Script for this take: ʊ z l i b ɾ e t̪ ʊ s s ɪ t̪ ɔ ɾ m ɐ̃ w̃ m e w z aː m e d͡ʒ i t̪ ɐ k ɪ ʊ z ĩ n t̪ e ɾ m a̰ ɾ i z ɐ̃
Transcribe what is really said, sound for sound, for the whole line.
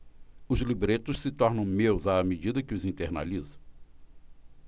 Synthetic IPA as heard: ʊ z l i b ɾ e t̪ ʊ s s ɪ t̪ ɔ ɾ n ɐ̃ w̃ m e w z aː m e d͡ʒ i d̪ ɐ k ɪ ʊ z ĩ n t̪ e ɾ n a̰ l i z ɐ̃

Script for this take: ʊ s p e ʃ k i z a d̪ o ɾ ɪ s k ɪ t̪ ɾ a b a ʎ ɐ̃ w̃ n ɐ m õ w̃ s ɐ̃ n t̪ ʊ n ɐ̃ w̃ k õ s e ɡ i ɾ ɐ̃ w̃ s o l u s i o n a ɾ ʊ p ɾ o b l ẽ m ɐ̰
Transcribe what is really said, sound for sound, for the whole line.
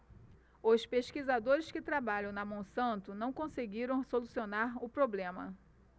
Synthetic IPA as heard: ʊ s p e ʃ k i z a d̪ o ɾ ɪ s k ɪ t̪ ɾ a b a ʎ ɐ̃ w̃ n ɐ m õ w̃ s ɐ̃ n t̪ ʊ n ɐ̃ w̃ k õ s e ɡ i ɾ ɐ̃ w̃ s o l u s i o n a ɾ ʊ p ɾ o b l ẽ m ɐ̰

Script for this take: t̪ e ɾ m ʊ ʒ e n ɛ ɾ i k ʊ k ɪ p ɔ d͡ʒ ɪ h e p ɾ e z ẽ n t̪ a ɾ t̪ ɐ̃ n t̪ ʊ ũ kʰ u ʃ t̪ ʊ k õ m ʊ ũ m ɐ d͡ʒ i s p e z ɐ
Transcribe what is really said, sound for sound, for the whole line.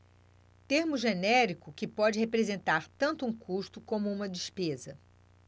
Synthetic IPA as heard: t̪ e ɾ m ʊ ʒ e n ɛ ɾ i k ʊ k ɪ p ɔ d͡ʒ ɪ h e p ɾ e z ẽ n t̪ a ɾ t̪ ɐ̃ n t̪ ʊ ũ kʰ u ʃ t̪ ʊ k õ m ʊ ũ m ɐ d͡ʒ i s p e z ɐ

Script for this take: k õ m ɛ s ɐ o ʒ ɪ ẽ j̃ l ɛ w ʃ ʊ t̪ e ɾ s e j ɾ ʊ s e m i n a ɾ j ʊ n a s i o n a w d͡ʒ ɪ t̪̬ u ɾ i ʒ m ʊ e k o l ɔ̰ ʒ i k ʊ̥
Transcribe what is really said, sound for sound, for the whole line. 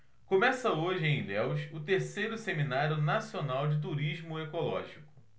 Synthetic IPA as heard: k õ m ɛ s ɐ o ʒ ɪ ẽ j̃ l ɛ w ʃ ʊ t̪ e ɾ s e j ɾ ʊ s e m i n a ɾ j ʊ n a s i o n a w d͡ʒ ɪ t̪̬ u ɾ i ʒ m ʊ e k o l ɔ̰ ʒ i k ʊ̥

